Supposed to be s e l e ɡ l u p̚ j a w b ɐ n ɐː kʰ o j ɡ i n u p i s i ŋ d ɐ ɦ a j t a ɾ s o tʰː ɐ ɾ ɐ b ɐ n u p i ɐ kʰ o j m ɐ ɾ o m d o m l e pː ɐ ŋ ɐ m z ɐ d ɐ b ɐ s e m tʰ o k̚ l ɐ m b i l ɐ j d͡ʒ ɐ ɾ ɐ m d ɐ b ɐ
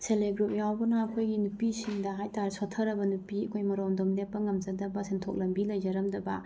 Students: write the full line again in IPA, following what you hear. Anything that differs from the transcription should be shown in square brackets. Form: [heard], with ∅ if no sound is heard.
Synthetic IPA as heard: s e l e ɡ [ɾ] u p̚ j a w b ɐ n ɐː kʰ o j ɡ i n u p i s i ŋ d ɐ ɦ a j t a ɾ s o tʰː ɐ ɾ ɐ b ɐ n u p i ɐ kʰ o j m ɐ ɾ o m d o m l e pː ɐ ŋ ɐ m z ɐ d ɐ b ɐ s e [n] tʰ o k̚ l ɐ m b i l ɐ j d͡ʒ ɐ ɾ ɐ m d ɐ b ɐ